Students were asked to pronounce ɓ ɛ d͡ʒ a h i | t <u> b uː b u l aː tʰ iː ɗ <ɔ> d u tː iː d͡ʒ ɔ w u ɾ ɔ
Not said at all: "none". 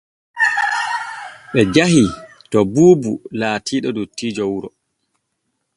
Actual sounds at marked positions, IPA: ɔ, ɔ

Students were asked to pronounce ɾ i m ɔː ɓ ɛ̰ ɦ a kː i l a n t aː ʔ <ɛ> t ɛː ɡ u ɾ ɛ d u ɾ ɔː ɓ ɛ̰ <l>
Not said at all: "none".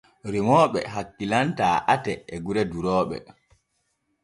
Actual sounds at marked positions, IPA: a, none

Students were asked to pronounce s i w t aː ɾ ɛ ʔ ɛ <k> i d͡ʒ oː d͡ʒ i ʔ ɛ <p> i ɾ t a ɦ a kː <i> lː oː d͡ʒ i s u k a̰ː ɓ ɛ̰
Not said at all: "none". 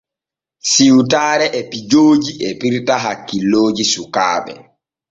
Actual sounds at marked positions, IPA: p, p, i

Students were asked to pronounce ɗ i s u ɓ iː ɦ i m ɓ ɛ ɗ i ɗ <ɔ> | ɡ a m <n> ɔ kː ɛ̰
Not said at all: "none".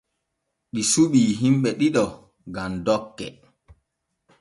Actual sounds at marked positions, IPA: ɔ, d

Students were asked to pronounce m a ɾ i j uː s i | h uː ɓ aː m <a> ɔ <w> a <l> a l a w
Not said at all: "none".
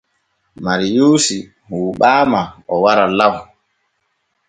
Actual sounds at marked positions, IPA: a, w, ɾ

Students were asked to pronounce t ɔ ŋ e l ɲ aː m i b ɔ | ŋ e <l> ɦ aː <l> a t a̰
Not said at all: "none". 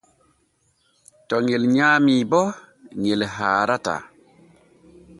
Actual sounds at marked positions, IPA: l, ɾ

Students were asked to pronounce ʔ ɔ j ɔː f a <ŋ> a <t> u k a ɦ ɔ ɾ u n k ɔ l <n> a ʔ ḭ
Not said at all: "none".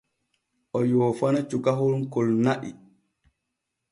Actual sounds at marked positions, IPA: n, t͡ʃ, n

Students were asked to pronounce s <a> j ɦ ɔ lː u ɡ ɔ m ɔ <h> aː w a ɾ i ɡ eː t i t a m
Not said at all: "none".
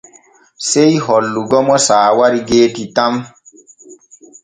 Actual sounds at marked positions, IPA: e, s

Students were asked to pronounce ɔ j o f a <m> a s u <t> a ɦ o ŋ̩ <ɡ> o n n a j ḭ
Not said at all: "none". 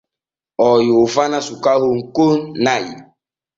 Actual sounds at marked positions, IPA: n, k, k

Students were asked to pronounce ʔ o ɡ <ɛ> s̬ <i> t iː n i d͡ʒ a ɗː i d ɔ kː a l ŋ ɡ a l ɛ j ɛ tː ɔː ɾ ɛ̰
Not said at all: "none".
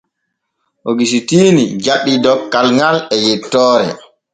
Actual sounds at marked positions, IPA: i, i

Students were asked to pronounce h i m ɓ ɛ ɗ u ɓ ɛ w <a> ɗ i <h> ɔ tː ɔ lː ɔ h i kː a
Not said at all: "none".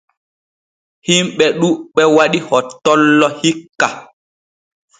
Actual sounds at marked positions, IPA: a, h

